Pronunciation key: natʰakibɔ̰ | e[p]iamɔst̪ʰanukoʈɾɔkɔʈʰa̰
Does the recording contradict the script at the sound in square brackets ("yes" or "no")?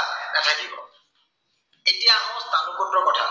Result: yes